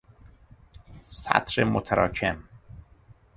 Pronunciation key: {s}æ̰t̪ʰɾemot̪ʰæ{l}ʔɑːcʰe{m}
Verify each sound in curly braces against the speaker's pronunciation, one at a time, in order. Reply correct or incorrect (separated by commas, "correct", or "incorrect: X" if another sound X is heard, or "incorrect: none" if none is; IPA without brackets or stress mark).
correct, incorrect: ɾ, correct